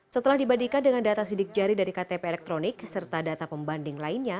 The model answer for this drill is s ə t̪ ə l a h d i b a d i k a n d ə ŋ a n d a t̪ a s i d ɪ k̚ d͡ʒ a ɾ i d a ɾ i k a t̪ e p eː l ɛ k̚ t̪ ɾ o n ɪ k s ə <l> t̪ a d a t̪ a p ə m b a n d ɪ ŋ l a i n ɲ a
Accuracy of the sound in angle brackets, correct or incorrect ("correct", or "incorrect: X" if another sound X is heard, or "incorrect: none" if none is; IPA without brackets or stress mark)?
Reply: incorrect: r